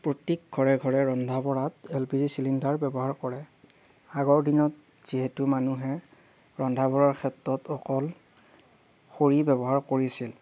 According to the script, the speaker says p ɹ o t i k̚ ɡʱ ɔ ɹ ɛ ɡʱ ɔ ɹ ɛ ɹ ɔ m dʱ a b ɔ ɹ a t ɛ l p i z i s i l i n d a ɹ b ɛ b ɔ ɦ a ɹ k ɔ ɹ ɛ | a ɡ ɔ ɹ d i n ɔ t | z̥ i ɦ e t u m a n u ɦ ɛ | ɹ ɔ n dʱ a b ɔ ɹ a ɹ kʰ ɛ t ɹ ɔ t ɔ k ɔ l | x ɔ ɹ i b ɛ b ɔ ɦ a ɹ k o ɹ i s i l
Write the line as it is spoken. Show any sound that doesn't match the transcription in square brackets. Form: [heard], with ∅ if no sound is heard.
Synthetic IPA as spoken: p ɹ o t i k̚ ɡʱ ɔ ɹ ɛ ɡʱ ɔ ɹ ɛ ɹ ɔ [n] dʱ a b ɔ ɹ a t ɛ l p i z i s i l i n d a ɹ b ɛ b ɔ ɦ a ɹ k ɔ ɹ ɛ | a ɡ ɔ ɹ d i n ɔ t | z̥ i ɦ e t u m a n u ɦ ɛ | ɹ ɔ n dʱ a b ɔ ɹ a ɹ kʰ ɛ t ɹ ɔ t ɔ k ɔ l | x [o] ɹ i b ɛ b ɔ ɦ a ɹ k o ɹ i s i l